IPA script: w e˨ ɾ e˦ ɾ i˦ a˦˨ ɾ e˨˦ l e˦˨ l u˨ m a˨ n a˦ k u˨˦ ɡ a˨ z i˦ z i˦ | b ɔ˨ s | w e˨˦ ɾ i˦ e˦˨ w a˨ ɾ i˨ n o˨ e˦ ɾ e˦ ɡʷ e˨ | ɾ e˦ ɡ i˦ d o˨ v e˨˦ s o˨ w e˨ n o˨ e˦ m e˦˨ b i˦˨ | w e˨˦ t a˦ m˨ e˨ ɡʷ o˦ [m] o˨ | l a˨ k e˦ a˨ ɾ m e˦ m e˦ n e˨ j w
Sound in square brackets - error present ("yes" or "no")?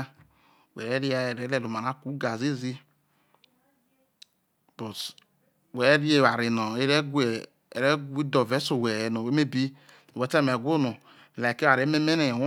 yes